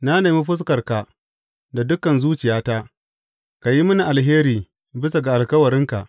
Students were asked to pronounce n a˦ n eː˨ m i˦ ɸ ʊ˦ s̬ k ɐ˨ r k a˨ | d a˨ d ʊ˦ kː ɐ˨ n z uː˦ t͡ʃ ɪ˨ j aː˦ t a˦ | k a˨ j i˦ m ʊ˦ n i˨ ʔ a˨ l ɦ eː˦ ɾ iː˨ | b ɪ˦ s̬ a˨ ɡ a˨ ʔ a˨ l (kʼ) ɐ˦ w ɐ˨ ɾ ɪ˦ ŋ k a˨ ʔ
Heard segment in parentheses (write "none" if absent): k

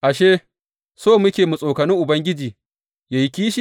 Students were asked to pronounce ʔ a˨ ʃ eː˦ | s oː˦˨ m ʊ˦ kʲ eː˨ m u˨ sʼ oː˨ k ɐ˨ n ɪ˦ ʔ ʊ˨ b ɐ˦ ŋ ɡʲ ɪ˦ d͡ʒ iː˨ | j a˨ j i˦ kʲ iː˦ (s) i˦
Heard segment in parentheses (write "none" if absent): ʃ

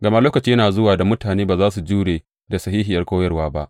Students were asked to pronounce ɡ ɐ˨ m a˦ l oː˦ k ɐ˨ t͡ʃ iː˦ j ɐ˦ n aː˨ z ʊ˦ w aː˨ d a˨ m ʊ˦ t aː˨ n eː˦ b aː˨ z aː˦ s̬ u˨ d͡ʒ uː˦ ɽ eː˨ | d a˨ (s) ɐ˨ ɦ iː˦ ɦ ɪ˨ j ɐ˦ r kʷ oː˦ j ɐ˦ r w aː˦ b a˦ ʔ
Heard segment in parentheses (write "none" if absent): s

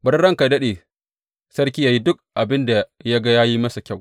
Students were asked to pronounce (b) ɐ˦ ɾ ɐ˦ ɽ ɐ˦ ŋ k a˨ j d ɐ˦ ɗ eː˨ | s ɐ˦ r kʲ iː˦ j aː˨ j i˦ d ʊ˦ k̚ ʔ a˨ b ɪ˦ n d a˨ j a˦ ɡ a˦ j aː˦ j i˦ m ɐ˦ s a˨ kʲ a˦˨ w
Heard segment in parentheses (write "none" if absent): b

